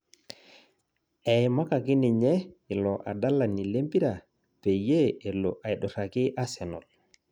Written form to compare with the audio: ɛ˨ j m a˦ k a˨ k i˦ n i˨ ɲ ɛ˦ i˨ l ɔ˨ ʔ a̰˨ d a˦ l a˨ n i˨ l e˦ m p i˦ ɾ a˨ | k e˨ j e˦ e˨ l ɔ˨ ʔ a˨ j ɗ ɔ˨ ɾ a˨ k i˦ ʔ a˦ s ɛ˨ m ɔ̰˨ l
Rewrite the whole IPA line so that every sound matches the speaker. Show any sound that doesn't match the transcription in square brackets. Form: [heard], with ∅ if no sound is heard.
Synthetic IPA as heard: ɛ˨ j m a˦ k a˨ k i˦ n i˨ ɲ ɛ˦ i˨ l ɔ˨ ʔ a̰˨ d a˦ l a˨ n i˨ l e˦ m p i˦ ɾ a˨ | [p] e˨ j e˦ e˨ l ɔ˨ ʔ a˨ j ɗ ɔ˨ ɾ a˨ k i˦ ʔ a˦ s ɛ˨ [n] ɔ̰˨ l